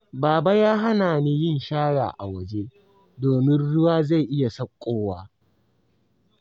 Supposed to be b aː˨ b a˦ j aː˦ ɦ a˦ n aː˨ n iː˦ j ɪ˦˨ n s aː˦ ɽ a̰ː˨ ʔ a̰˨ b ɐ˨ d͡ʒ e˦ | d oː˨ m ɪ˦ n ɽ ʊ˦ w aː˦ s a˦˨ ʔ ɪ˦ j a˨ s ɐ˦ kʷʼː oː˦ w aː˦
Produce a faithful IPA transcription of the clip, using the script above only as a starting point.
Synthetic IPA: b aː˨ b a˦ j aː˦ ɦ a˦ n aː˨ n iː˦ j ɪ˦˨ n ʃ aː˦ ɽ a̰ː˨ ʔ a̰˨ w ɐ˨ d͡ʒ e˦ | d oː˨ m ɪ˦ n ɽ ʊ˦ w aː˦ z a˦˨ ʔ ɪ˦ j a˨ s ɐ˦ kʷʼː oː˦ w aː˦